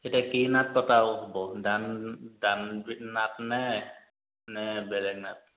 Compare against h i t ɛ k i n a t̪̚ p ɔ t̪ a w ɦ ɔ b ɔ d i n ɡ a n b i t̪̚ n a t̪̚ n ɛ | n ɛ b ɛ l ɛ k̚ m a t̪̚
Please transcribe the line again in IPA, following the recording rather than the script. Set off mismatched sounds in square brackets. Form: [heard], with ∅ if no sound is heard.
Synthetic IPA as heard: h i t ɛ k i n a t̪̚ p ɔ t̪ a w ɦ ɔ b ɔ d [a] n [d] a n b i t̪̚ n a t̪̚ n ɛ | n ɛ b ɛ l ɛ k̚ [n] a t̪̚